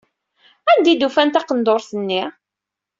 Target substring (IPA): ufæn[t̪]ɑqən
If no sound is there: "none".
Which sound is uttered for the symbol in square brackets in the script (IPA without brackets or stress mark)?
t̪